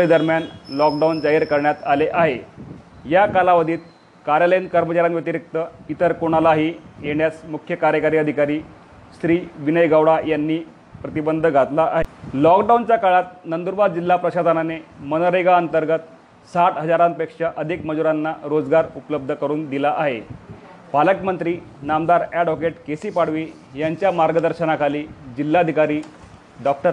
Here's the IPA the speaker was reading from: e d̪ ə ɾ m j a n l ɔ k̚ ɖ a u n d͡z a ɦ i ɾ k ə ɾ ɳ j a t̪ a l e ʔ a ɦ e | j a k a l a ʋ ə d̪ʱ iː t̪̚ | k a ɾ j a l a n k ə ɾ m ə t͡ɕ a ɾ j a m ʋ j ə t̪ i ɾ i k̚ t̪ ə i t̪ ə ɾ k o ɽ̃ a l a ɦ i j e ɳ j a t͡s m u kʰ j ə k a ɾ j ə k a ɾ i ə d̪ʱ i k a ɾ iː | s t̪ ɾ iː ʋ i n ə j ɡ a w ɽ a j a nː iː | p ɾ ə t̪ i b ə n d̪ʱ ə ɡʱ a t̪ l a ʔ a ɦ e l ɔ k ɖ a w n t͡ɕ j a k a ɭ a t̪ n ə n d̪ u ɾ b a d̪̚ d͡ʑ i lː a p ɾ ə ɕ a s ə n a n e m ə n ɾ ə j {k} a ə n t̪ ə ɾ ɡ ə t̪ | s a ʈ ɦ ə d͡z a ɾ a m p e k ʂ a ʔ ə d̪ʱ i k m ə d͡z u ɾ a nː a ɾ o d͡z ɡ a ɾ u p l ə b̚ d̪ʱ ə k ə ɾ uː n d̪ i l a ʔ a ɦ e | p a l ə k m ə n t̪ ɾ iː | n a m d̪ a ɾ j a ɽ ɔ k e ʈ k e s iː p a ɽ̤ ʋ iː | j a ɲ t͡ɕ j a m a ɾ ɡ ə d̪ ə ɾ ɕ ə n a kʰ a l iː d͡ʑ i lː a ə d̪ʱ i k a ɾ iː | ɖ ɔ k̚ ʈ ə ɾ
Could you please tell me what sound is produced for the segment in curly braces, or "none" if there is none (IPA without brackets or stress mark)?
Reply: ɡ